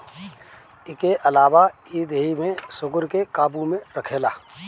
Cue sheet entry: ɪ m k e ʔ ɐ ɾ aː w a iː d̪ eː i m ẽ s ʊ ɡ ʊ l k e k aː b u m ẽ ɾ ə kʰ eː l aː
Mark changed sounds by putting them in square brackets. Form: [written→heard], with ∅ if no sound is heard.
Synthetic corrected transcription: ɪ [m→∅] k e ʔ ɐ [ɾ→l] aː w a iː d̪ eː i m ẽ s ʊ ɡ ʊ [l→ɾ] k e k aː b u m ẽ ɾ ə kʰ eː l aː